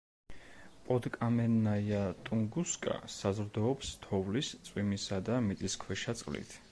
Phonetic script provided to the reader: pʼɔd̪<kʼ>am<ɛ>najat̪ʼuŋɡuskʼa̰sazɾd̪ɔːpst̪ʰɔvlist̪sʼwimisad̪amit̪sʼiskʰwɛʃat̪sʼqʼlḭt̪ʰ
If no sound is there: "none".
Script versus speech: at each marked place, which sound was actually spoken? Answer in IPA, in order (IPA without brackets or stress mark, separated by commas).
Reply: kʼ, ɛ